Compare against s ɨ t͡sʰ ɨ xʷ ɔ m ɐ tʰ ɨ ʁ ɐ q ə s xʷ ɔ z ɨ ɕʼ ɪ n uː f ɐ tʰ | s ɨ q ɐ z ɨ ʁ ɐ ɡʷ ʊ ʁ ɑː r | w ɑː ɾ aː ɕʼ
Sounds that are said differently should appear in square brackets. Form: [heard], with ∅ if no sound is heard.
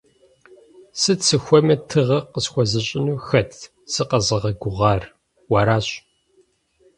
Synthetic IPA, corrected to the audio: s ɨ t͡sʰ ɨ xʷ ɔ m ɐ tʰ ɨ ʁ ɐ q ə s xʷ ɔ z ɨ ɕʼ ɪ n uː [x] ɐ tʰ | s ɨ q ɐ z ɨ ʁ ɐ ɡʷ ʊ ʁ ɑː r | w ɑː ɾ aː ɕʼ

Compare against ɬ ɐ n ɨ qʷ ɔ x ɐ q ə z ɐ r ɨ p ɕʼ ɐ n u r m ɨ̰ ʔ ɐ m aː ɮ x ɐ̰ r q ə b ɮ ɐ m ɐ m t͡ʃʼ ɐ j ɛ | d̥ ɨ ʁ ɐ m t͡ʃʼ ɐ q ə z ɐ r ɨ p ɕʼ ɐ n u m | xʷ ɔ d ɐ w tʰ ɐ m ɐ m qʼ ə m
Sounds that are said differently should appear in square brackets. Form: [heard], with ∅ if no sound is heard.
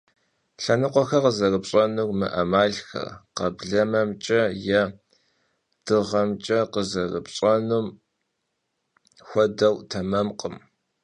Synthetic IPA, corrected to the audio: ɬ ɐ n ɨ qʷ ɔ x ɐ q ə z ɐ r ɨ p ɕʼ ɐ n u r m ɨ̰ ʔ ɐ m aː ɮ x ɐ̰ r q [ɐ] b ɮ ɐ m ɐ m t͡ʃʼ ɐ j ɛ | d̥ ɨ ʁ ɐ m t͡ʃʼ ɐ q ə z ɐ r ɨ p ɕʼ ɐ n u m | xʷ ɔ d ɐ w tʰ ɐ m ɐ m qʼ ə m

